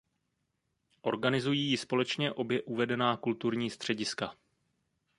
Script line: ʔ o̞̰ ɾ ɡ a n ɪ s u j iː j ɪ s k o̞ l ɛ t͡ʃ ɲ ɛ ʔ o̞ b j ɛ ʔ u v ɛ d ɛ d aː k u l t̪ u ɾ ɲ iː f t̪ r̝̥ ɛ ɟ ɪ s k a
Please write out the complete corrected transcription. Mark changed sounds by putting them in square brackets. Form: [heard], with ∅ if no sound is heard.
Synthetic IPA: ʔ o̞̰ ɾ ɡ a n ɪ [z] u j iː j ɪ s [p] o̞ l ɛ t͡ʃ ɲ ɛ ʔ o̞ b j ɛ ʔ u v ɛ d ɛ [n] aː k u l t̪ u ɾ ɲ iː [s] t̪ r̝̥ ɛ ɟ ɪ s k a

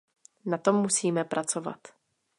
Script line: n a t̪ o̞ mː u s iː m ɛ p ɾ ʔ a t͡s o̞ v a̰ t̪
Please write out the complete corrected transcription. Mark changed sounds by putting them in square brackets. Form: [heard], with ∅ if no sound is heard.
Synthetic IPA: n a t̪ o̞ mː u s iː m ɛ p ɾ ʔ a t͡s o̞ v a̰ t̪

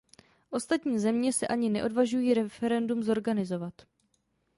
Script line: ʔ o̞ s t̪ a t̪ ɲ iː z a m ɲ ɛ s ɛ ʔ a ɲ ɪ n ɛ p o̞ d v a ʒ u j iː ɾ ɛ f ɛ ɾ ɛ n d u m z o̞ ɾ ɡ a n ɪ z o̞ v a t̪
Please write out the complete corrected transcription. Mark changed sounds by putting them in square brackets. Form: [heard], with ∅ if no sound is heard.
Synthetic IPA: ʔ o̞ s t̪ a t̪ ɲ iː z [ɛ] m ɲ ɛ s ɛ ʔ a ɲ ɪ n ɛ [ʔ] o̞ d v a ʒ u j iː ɾ ɛ f ɛ ɾ ɛ n d u m z o̞ ɾ ɡ a n ɪ z o̞ v a t̪

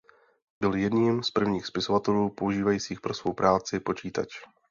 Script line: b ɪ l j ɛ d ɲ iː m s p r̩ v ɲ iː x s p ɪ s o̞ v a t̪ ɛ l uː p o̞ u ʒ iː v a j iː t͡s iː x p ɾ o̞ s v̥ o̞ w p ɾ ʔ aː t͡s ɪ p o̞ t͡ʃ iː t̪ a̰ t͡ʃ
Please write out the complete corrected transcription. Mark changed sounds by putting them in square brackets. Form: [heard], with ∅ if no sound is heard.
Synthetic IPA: b ɪ l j ɛ d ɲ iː m s p r̩ v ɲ iː x s p ɪ s o̞ v a t̪ ɛ l uː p o̞ u ʒ iː v a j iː t͡s iː x p ɾ o̞ s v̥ o̞ w p ɾ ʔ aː t͡s ɪ p o̞ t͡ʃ iː t̪ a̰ t͡ʃ

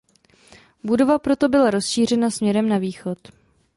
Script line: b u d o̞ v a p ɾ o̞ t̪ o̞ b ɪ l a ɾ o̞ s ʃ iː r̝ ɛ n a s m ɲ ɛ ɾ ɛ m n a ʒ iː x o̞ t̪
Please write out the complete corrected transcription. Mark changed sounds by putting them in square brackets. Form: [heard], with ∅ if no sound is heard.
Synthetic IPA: b u d o̞ v a p ɾ o̞ t̪ o̞ b ɪ l a ɾ o̞ s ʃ iː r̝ ɛ n a s m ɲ ɛ ɾ ɛ m n a [v] iː x o̞ t̪

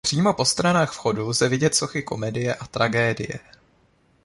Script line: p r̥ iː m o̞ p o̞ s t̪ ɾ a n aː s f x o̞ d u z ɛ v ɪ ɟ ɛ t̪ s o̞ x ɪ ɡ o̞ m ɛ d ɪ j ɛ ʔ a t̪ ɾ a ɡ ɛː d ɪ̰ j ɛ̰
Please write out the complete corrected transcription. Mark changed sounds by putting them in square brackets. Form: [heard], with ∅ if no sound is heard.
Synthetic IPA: p r̥ iː m o̞ p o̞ s t̪ ɾ a n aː [x] f x o̞ d u z ɛ v ɪ ɟ ɛ t̪ s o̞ x ɪ [k] o̞ m ɛ d ɪ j ɛ ʔ a t̪ ɾ a ɡ ɛː d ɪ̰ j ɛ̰

